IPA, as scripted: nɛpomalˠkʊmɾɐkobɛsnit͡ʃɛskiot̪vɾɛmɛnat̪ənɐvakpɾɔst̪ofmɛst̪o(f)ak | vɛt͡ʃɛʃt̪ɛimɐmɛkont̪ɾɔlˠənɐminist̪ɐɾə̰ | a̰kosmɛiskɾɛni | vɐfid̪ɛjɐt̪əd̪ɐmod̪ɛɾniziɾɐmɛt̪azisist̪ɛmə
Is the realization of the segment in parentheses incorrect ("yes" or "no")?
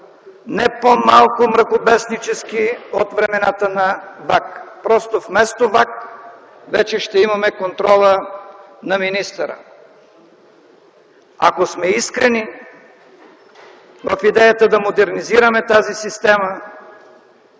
yes